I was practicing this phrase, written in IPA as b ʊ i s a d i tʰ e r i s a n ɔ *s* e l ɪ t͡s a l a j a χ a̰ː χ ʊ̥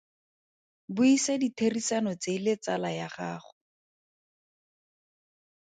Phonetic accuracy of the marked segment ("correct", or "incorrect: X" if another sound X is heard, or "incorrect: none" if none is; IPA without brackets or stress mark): incorrect: t͡s